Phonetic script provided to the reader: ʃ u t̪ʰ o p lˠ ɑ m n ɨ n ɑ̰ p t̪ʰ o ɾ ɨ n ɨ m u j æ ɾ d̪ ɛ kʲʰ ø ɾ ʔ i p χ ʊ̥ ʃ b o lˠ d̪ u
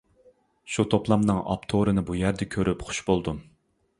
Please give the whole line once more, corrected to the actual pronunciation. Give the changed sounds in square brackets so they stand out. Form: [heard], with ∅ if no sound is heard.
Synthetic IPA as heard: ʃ u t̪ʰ o p lˠ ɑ m n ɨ [ŋ] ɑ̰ p t̪ʰ o ɾ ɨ n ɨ [b] u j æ ɾ d̪ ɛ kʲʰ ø ɾ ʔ [y] p χ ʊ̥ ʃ b o lˠ d̪ u